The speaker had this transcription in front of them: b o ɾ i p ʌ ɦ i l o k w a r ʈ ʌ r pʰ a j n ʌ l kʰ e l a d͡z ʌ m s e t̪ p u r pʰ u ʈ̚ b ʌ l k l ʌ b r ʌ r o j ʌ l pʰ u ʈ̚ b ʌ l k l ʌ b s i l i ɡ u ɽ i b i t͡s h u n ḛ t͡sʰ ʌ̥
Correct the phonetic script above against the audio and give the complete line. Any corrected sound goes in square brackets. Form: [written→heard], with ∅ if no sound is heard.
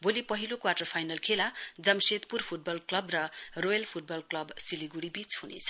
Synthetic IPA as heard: b o [ɾ→l] i p ʌ ɦ i l o k w a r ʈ ʌ r pʰ a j n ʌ l kʰ e l a d͡z ʌ m s e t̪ p u r pʰ u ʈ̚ b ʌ l k l ʌ b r ʌ r o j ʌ l pʰ u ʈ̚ b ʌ l k l ʌ b s i l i ɡ u ɽ i b i t͡s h u n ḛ t͡sʰ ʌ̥